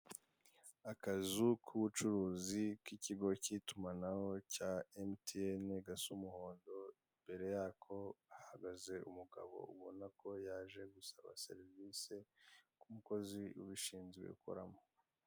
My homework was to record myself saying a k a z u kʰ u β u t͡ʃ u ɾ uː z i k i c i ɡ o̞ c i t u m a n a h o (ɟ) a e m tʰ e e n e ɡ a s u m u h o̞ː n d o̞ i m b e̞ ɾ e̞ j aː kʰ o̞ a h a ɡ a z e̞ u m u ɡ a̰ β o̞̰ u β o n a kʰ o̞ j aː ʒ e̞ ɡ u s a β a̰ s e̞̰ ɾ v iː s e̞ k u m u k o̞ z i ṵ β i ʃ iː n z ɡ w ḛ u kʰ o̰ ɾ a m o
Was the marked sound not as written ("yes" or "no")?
yes